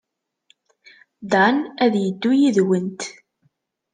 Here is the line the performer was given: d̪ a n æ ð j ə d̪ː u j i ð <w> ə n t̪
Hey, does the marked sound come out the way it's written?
yes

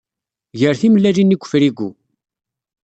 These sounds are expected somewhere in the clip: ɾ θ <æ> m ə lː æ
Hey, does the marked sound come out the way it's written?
no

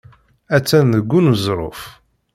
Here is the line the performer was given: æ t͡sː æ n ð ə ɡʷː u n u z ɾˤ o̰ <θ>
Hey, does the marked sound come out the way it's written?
no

